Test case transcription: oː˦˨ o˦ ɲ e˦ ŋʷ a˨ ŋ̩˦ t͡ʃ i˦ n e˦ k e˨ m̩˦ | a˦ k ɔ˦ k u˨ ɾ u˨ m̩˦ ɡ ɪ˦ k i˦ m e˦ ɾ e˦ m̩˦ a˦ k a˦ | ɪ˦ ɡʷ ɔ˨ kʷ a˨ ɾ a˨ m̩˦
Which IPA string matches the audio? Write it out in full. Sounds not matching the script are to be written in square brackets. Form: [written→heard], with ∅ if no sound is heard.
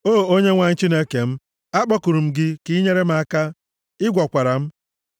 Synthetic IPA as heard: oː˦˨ o˦ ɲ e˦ ŋʷ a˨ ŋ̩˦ t͡ʃ i˦ n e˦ k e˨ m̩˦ | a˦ [k→k͡p] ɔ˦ k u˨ ɾ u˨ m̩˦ ɡ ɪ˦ k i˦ [m→ɲ] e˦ ɾ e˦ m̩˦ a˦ k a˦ | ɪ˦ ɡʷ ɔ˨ kʷ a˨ ɾ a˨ m̩˦

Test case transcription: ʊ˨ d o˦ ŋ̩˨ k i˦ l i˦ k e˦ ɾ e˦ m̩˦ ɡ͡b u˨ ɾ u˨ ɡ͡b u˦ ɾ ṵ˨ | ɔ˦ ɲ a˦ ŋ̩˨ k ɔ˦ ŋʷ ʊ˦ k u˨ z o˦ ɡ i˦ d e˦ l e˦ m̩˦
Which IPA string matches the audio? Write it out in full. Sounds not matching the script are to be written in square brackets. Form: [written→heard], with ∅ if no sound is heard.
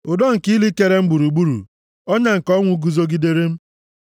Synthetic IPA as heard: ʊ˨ d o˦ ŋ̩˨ k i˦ l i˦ k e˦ ɾ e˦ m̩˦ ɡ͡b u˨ ɾ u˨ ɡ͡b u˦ ɾ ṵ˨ | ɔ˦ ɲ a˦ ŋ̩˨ k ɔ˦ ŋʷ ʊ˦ [k→ɡ] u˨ z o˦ ɡ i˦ d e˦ [l→ɾ] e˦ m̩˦

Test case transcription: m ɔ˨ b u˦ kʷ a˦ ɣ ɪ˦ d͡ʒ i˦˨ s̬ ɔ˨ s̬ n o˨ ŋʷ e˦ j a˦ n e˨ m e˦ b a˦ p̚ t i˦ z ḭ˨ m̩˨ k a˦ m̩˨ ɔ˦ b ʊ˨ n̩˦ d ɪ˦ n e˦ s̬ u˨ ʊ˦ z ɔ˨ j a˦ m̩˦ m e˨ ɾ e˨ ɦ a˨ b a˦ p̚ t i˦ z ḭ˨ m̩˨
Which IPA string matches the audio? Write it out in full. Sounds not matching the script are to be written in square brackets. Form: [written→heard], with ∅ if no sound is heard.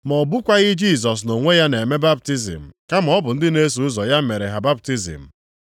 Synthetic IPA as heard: m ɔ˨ b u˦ kʷ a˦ ɣ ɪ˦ d͡ʒ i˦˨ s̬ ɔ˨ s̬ n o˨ ŋʷ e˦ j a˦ n e˨ m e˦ b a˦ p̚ t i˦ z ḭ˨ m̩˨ k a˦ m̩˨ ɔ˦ b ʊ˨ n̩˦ d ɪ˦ n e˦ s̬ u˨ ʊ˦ z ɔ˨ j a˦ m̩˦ m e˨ ɾ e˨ ɦ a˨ b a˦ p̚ t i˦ z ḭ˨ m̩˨

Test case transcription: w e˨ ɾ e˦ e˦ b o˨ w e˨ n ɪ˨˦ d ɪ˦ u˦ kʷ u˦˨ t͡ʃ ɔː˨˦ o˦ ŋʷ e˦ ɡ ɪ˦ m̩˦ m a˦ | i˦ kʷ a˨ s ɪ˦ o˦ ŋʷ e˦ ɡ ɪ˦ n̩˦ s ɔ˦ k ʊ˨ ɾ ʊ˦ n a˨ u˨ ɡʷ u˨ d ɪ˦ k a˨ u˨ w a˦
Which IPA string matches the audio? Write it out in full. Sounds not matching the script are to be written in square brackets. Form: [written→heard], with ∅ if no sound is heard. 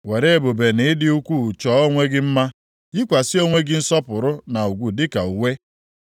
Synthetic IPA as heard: w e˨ ɾ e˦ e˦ b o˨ [w→b] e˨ n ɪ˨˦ d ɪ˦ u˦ kʷ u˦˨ t͡ʃ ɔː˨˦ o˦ ŋʷ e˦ ɡ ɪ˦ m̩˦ m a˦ | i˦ kʷ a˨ s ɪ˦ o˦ ŋʷ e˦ ɡ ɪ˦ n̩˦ s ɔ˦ [k→p] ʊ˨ ɾ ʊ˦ n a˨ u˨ ɡʷ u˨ d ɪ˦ k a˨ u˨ w [a˦→e˦]

